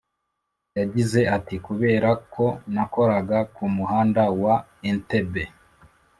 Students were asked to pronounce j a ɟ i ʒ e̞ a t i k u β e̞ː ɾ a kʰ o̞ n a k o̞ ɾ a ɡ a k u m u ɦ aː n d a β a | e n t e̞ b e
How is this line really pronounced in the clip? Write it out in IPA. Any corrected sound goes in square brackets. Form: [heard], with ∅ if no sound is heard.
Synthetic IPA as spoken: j a ɟ i [z] e̞ a t i k u β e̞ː ɾ a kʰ o̞ n a k o̞ ɾ a ɡ a k u m u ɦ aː n d a [w] a | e n t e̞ b e